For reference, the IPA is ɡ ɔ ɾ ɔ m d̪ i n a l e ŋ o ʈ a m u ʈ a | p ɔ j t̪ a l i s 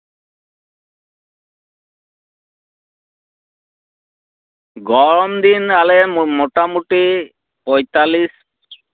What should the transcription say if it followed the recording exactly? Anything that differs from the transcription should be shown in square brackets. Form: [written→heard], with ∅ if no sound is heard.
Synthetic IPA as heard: ɡ ɔ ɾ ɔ m d̪ i n a l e [ŋ→m] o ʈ a m u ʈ [a→i] | p ɔ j t̪ a l i s

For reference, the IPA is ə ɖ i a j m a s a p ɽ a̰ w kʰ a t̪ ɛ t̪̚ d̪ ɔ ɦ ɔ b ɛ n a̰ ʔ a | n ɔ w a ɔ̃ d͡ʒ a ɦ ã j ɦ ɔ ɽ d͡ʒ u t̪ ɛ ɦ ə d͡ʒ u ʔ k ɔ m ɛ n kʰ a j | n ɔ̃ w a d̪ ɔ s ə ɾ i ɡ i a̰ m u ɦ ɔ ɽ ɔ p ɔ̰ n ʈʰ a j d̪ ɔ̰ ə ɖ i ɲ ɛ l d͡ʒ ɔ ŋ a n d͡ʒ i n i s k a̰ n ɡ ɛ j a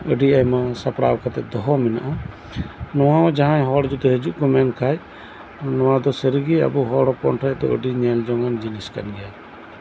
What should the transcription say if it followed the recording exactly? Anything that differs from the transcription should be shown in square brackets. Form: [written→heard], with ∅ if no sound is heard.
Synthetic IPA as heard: ə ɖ i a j m a s a p ɽ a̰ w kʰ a t̪ ɛ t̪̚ d̪ ɔ ɦ ɔ [b→m] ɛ n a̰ ʔ a | n ɔ w a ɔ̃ d͡ʒ a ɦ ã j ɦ ɔ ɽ d͡ʒ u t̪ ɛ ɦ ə d͡ʒ u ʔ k ɔ m ɛ n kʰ a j | n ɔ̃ w a d̪ ɔ s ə ɾ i ɡ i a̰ [m→b] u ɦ ɔ ɽ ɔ p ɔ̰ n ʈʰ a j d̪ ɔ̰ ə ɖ i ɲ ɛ l d͡ʒ ɔ ŋ a n d͡ʒ i n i s k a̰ n ɡ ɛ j a

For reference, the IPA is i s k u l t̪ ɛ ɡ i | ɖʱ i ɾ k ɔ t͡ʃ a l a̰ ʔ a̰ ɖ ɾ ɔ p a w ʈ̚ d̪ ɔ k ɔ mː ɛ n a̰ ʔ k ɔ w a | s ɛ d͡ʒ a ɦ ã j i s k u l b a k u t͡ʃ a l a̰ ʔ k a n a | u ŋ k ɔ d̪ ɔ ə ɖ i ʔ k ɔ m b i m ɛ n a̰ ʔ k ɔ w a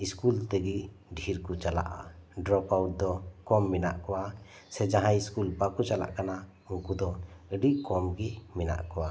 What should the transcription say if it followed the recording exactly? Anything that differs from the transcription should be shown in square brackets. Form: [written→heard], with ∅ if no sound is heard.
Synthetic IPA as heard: i s k u l t̪ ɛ ɡ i | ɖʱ i ɾ k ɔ t͡ʃ a l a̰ ʔ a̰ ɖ ɾ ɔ p a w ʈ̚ d̪ ɔ k ɔ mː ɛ n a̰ ʔ k ɔ w a | s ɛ d͡ʒ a ɦ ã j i s k u l b a k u t͡ʃ a l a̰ ʔ k a n a | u ŋ k [ɔ→u] d̪ ɔ ə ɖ i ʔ k ɔ m [b→ɡ] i m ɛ n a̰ ʔ k ɔ w a

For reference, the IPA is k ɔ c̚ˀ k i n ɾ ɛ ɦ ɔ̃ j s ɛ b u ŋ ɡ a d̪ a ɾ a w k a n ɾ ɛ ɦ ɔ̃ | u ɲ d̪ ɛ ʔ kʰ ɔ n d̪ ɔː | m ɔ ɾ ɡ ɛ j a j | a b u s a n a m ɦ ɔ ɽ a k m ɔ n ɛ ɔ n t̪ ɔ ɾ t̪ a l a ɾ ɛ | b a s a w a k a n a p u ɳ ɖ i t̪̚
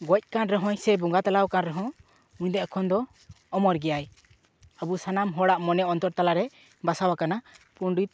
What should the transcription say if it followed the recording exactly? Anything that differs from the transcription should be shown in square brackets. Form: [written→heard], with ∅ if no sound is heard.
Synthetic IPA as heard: [k→ɡ] ɔ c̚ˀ k [i→a] n ɾ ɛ ɦ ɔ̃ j s ɛ b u ŋ ɡ a [d̪→t̪] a [ɾ→l] a w k a n ɾ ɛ ɦ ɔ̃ | u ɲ d̪ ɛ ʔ kʰ ɔ n d̪ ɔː | m ɔ ɾ ɡ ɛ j a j | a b u s a n a m ɦ ɔ ɽ a [k→ʔ] m ɔ n ɛ ɔ n t̪ ɔ ɾ t̪ a l a ɾ ɛ | b a s a w a k a n a p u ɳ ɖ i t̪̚

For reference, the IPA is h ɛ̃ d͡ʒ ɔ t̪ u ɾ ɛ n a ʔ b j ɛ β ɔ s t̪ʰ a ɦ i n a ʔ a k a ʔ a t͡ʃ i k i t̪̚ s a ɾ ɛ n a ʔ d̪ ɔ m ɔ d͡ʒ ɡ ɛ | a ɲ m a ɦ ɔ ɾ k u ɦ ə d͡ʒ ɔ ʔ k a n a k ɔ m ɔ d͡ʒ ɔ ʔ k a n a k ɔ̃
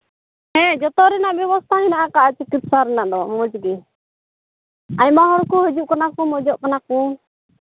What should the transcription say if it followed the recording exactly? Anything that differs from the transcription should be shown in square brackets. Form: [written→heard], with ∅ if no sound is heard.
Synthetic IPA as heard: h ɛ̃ d͡ʒ ɔ t̪ [u→ɔ] ɾ ɛ n a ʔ b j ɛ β ɔ s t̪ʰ a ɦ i n a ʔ a k a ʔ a t͡ʃ i k i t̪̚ s a ɾ ɛ n a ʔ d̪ ɔ m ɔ d͡ʒ ɡ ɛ | a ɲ m a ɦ ɔ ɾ k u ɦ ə d͡ʒ [ɔ→u] ʔ k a n a k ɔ m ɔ d͡ʒ ɔ ʔ k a n a k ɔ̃

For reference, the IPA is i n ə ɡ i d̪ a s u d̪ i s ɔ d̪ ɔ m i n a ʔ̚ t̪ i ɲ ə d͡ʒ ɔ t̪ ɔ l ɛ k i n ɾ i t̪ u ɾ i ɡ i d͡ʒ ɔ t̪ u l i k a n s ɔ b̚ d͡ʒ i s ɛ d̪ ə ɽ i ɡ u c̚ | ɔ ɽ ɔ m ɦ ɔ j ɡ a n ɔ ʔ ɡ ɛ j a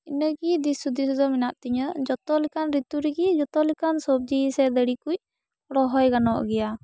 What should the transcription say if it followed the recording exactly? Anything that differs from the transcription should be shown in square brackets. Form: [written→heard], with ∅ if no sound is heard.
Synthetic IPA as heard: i n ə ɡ i d̪ [a→i] s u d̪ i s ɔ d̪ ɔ m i n a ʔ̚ t̪ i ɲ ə d͡ʒ ɔ t̪ ɔ l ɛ k [i→a] n ɾ i t̪ u ɾ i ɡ i d͡ʒ ɔ t̪ [u→ɔ] l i k a n s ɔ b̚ d͡ʒ i s ɛ d̪ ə ɽ i [ɡ→k] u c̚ | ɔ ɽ ɔ [m→∅] ɦ ɔ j ɡ a n ɔ ʔ ɡ ɛ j a

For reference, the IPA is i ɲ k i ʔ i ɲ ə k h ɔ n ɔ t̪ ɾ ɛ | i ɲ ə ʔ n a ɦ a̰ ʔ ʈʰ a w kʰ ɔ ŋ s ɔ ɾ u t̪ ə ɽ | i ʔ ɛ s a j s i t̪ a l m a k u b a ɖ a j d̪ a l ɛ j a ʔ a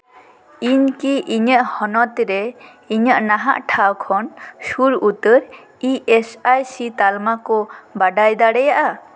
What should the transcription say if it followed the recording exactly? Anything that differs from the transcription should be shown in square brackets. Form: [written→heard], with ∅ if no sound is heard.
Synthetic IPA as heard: i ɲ k i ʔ i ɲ ə [k→ʔ] h ɔ n ɔ t̪ ɾ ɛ | i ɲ ə ʔ n a ɦ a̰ ʔ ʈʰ a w kʰ ɔ [ŋ→n] s [ɔ→u] ɾ u t̪ ə [ɽ→ɾ] | i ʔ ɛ s a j s i t̪ a l m a k [u→ɔ] b a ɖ a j d̪ a [l→ɽ] ɛ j a ʔ a

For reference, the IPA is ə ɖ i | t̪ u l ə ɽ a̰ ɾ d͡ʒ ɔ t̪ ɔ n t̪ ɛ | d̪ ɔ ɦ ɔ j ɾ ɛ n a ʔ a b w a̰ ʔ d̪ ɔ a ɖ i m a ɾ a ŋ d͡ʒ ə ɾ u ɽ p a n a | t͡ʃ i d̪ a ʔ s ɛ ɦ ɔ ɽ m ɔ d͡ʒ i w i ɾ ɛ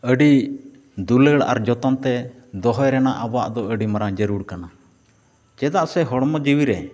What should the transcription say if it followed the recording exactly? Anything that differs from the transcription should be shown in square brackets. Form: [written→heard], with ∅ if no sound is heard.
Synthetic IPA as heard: ə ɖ i | [t̪→d̪] u l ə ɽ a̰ ɾ d͡ʒ ɔ t̪ ɔ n t̪ ɛ | d̪ ɔ ɦ ɔ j ɾ ɛ n a ʔ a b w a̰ ʔ d̪ ɔ [a→ə] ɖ i m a ɾ a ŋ d͡ʒ ə ɾ u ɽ [p→k] a n a | t͡ʃ [i→ɛ] d̪ a ʔ s ɛ ɦ ɔ ɽ m ɔ d͡ʒ i w i ɾ ɛ

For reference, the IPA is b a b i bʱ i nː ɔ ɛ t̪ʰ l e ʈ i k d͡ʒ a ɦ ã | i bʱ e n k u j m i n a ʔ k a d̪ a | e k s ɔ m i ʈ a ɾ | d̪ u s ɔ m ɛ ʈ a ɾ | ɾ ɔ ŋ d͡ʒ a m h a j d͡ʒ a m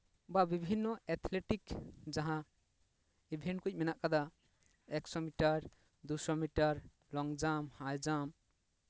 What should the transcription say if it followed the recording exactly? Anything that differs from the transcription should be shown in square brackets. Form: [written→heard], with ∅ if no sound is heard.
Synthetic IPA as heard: b a b i bʱ i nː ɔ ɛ t̪ʰ l e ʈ i k d͡ʒ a ɦ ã | i bʱ e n k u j m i n a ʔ k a d̪ a | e k s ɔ m i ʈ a ɾ | d̪ u s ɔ m [ɛ→i] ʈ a ɾ | [ɾ→l] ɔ ŋ d͡ʒ a m h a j d͡ʒ a m

